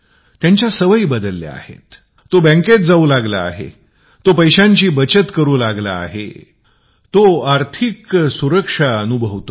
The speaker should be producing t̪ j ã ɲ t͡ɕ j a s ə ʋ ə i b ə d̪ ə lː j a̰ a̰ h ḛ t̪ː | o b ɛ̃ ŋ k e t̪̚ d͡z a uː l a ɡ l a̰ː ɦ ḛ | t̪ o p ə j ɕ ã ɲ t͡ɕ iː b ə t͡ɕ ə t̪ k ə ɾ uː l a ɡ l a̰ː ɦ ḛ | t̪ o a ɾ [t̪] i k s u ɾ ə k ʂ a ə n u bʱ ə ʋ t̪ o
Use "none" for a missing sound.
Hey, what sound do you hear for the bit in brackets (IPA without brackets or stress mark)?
t̪ʰ